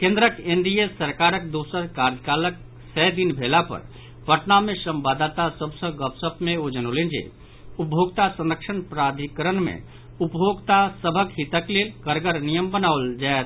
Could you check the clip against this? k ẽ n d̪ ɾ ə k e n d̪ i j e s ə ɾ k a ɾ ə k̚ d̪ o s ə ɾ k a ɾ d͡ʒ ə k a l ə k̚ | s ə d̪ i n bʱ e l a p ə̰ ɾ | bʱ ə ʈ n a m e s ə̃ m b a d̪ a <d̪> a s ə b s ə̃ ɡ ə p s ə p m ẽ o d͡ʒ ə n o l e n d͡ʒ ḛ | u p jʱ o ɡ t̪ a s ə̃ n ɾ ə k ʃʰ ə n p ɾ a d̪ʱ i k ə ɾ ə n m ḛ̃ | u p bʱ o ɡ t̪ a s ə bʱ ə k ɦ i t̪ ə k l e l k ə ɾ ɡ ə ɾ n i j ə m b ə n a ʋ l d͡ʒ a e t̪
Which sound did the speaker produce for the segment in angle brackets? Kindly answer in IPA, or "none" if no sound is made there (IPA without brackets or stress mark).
t̪